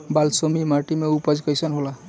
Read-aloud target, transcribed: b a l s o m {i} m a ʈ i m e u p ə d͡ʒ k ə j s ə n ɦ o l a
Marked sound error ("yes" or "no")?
no